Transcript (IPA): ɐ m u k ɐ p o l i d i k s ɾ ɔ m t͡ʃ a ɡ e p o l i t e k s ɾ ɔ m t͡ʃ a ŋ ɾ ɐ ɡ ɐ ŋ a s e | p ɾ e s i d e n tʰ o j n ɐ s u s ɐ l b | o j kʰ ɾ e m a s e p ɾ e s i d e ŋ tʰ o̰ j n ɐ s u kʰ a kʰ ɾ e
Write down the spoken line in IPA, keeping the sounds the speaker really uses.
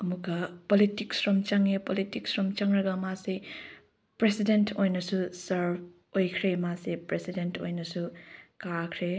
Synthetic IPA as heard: ɐ m u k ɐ p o l i t i k s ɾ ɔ m t͡ʃ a ŋ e p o l i t i k s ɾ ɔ m t͡ʃ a ŋ ɾ ɐ ɡ ɐ m a s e | p ɾ e s i d e n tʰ o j n ɐ s u s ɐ ɾ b | o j kʰ ɾ e m a s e p ɾ e s i d e n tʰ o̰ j n ɐ s u k a kʰ ɾ e